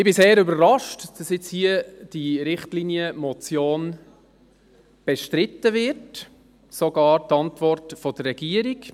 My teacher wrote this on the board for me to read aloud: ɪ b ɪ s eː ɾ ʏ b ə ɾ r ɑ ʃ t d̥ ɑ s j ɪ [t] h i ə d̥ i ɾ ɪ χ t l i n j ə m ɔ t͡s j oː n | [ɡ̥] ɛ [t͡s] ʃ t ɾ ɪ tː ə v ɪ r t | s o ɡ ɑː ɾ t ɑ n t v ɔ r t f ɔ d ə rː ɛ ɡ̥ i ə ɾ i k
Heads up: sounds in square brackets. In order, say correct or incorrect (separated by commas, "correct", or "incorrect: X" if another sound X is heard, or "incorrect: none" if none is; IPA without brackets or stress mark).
incorrect: t͡s, incorrect: b̥, incorrect: none